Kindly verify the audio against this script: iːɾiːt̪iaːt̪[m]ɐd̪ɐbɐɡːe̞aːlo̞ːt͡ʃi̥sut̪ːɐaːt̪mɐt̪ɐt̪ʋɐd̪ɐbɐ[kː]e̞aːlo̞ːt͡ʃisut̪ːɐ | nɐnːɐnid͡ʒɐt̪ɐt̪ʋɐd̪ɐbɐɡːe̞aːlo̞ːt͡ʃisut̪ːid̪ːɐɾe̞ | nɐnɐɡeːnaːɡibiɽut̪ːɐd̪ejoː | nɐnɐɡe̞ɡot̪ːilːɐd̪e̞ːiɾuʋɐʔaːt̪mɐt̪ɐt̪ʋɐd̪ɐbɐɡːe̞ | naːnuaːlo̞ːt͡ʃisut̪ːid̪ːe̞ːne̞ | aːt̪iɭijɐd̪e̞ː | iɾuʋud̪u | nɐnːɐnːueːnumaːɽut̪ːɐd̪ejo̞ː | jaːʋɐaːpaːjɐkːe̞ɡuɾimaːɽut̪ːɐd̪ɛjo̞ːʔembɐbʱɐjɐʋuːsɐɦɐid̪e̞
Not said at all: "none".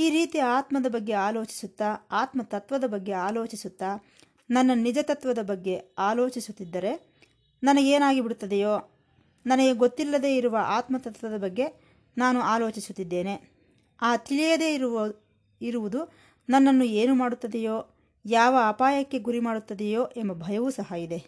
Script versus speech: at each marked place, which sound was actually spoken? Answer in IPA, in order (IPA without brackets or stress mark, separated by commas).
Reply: m, ɡː